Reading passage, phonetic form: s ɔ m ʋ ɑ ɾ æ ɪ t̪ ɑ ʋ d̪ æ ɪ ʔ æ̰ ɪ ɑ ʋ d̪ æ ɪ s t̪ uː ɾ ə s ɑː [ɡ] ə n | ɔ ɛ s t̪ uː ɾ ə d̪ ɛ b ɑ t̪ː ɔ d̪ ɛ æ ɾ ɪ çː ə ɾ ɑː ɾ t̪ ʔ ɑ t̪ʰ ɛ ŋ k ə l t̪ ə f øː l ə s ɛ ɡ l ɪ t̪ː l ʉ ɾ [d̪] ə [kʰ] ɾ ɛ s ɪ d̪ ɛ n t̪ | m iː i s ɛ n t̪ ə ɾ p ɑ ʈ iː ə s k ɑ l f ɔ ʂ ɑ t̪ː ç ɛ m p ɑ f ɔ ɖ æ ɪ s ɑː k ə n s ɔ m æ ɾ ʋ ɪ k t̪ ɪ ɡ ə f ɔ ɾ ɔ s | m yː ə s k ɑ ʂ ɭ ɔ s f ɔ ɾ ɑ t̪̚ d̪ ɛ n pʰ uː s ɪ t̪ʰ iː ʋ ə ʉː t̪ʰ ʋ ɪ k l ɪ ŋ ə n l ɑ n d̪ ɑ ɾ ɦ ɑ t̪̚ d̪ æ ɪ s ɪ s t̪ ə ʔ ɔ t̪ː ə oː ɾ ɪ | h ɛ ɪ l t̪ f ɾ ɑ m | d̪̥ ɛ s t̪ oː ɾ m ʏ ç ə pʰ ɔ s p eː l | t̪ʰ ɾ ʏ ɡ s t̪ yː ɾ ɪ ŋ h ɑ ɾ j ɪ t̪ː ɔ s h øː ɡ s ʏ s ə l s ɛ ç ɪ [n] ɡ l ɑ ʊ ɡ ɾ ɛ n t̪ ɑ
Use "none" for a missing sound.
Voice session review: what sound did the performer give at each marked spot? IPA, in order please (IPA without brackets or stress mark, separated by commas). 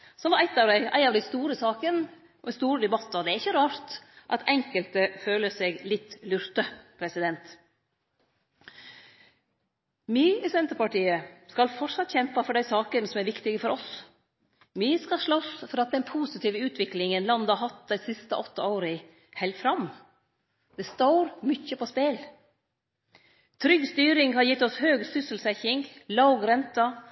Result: k, t̪, pʰ, ŋ